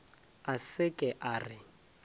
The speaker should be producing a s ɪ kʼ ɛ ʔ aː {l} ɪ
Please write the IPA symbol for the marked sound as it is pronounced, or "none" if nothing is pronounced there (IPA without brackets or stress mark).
r